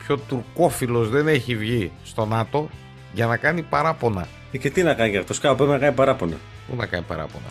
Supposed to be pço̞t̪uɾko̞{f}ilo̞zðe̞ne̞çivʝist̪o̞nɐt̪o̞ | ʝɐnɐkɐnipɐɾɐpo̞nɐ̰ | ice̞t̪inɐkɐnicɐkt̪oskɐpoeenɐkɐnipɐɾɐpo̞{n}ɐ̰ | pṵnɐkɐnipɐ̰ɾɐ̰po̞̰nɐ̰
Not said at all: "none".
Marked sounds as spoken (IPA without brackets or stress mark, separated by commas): f, n